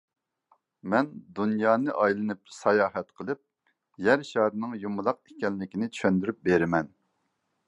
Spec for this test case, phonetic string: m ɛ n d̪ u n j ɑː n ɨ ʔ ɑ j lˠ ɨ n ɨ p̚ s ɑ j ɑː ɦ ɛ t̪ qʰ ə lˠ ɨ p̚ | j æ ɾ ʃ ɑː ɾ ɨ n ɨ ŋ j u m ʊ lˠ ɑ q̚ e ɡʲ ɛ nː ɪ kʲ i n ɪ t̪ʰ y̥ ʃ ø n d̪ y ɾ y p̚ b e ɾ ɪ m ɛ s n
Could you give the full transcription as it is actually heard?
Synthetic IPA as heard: m ɛ n d̪ u n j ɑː n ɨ ʔ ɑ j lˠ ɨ n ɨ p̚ s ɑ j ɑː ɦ ɛ t̪ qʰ ə lˠ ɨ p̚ | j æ ɾ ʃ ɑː ɾ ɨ n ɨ ŋ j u m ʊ lˠ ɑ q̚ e kʲ ɛ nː ɪ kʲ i n ɪ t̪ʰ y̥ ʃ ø n d̪ y ɾ y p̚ b e ɾ ɪ m ɛ n